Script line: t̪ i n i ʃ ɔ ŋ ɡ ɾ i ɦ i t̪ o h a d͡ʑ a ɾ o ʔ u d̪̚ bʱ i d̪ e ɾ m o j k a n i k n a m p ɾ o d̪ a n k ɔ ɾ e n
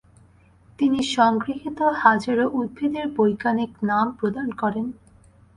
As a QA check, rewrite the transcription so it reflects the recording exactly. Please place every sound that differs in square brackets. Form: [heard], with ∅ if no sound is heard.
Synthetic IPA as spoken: t̪ i n i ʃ ɔ ŋ ɡ ɾ i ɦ i t̪ o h a d͡ʑ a ɾ o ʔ u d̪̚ bʱ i d̪ e ɾ [b] o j k a n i k n a m p ɾ o d̪ a n k ɔ ɾ e n